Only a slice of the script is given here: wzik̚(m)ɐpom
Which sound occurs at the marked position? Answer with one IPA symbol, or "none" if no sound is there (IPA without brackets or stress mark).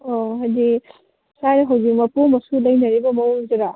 m